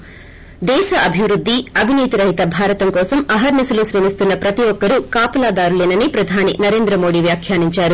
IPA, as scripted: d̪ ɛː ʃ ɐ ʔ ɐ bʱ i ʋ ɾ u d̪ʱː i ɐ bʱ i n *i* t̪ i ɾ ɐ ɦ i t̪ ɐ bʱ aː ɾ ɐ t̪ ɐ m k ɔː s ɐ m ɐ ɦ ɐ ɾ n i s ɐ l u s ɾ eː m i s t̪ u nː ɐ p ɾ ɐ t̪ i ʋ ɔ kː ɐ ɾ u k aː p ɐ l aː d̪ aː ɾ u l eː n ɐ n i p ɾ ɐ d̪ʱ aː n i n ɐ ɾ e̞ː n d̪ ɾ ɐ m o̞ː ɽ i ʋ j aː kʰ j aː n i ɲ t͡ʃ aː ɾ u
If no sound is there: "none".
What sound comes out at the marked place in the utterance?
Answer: iː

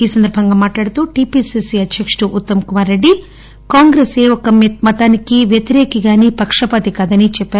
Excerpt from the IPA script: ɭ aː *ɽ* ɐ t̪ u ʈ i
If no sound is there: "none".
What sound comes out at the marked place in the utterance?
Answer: ɽ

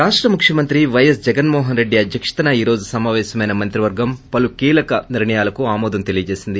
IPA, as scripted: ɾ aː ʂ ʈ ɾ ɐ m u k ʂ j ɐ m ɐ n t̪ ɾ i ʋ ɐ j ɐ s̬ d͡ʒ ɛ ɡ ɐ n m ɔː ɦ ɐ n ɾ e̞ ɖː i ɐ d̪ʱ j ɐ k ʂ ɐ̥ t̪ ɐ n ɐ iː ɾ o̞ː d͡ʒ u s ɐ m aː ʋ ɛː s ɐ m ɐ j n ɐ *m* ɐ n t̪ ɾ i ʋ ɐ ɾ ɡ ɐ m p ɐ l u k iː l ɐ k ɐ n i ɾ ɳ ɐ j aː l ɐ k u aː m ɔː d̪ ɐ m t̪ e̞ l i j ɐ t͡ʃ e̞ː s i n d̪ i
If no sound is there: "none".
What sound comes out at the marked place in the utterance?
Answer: m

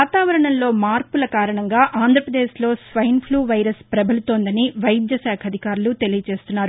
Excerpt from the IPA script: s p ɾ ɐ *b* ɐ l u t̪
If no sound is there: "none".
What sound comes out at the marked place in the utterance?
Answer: b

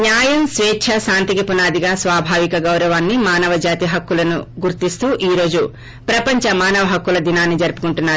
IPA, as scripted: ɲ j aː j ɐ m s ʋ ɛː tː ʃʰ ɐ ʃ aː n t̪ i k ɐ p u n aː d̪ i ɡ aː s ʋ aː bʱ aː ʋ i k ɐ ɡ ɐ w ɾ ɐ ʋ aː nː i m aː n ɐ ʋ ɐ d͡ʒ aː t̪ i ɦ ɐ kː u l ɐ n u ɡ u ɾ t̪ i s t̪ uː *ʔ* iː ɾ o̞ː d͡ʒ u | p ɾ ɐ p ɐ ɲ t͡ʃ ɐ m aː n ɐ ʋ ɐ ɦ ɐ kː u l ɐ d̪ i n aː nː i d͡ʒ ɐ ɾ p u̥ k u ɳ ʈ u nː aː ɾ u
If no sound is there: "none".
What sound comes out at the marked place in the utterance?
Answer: ʔ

